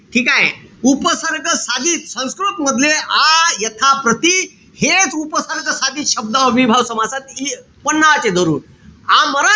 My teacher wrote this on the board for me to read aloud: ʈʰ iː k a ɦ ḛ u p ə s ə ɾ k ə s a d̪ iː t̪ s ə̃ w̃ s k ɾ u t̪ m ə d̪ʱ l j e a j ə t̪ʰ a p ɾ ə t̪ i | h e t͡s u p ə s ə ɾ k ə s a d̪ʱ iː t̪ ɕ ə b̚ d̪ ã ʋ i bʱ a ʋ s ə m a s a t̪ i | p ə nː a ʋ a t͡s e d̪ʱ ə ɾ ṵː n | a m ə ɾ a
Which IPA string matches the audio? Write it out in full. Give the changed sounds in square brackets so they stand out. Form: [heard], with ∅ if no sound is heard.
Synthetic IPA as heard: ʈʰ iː k a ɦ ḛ u p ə s ə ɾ k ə s a d̪ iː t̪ s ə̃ w̃ s k ɾ u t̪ m ə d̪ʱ l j e a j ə t̪ʰ a p ɾ ə t̪ i | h e t͡s u p ə s ə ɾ k ə s a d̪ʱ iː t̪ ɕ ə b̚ d̪ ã ʋ i bʱ a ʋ s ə m a s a t̪ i | p ə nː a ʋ a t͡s e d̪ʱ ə ɾ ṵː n | a m ə ɾ a